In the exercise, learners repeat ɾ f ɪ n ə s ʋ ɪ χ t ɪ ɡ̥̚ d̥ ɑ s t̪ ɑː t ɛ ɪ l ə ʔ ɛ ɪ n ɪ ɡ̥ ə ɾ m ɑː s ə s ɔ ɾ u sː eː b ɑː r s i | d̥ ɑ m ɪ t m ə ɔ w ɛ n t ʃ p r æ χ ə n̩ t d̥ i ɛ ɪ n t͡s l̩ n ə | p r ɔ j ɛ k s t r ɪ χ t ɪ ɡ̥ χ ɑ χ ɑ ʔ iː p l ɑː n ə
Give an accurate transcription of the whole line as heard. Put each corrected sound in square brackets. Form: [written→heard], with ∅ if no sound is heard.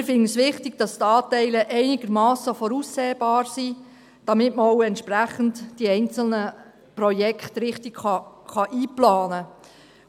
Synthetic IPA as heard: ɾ f ɪ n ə s ʋ ɪ χ t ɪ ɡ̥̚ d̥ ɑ s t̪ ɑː t ɛ ɪ l ə ʔ ɛ ɪ n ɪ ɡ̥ ə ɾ m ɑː s ə [s→f] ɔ ɾ u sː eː b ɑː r s i | d̥ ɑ m ɪ t m ə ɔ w ɛ n t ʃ p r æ χ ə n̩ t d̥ i ɛ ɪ n t͡s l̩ n ə | p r ɔ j ɛ k [s→χ] t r ɪ χ t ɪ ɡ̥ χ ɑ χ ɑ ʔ iː p l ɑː n ə